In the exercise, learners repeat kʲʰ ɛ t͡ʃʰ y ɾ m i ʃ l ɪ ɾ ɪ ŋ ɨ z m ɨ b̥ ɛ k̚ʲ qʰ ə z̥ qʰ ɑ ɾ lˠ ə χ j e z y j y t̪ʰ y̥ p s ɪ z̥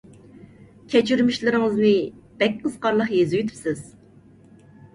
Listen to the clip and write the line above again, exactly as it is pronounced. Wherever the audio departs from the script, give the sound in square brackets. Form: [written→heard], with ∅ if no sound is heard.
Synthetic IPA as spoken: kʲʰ ɛ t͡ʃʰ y ɾ m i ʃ l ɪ ɾ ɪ ŋ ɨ z m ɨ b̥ ɛ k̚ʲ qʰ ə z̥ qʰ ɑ ɾ lˠ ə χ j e z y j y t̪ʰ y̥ p s ɪ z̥